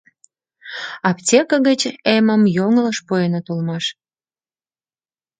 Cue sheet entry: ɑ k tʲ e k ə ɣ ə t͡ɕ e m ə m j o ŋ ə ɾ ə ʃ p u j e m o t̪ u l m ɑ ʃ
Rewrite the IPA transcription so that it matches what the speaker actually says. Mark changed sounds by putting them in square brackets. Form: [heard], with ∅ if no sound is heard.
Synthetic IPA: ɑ [p] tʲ e k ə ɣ ə t͡ɕ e m ə m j o ŋ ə [l] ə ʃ p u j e [n] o t̪ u l m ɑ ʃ